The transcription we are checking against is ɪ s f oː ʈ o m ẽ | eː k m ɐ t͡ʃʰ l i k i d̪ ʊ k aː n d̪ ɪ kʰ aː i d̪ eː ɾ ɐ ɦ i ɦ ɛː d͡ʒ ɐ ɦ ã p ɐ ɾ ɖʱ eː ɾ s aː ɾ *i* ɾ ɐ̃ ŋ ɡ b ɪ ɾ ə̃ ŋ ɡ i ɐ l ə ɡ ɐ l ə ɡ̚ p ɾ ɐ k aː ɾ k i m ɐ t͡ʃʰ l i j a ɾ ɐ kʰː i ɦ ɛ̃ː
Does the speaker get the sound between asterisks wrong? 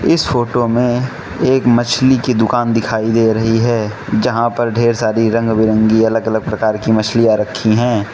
no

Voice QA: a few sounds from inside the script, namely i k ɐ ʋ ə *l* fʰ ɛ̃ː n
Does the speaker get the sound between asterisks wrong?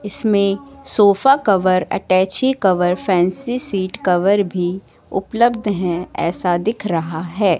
yes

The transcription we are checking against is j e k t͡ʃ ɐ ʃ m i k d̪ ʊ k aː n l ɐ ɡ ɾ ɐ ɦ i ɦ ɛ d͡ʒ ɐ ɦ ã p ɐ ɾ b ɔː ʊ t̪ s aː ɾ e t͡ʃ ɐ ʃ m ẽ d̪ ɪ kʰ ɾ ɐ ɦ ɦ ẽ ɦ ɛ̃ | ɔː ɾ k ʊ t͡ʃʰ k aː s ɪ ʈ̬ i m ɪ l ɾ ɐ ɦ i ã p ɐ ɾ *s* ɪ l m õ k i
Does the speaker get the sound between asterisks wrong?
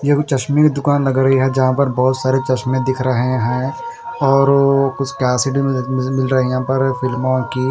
yes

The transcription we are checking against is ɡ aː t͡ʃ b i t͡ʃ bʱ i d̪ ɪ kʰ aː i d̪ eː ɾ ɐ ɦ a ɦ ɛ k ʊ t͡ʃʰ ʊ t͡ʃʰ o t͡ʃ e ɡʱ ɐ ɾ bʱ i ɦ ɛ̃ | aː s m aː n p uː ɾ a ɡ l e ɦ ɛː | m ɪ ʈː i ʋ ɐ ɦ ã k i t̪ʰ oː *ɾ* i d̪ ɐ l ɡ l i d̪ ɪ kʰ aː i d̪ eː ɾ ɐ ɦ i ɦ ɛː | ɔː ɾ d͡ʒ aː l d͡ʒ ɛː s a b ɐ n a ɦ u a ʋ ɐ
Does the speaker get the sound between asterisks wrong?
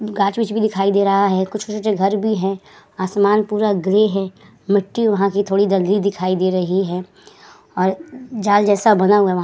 yes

